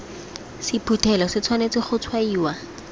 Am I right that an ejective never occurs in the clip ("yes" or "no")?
yes